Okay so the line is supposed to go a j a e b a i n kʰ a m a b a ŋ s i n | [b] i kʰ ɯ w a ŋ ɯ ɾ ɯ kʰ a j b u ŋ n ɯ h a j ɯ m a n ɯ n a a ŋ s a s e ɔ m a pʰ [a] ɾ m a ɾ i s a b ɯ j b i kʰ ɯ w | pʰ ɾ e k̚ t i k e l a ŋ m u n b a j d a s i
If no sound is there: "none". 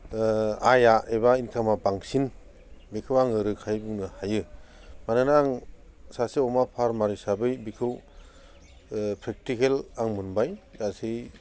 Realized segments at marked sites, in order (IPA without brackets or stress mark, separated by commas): b, a